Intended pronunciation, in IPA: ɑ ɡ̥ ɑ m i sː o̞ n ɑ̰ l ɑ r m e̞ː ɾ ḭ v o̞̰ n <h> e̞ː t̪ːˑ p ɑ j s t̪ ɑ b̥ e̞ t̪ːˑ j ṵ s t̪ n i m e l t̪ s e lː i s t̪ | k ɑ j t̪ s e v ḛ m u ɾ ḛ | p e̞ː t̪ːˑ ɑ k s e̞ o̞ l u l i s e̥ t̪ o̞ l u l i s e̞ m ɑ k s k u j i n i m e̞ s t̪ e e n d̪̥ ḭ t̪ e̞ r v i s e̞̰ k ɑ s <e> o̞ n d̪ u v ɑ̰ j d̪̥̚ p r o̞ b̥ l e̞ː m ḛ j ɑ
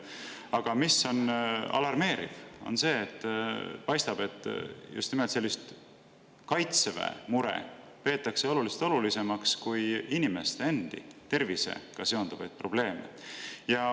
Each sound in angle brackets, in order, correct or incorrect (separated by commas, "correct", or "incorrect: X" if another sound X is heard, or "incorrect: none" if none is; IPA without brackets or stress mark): incorrect: s, correct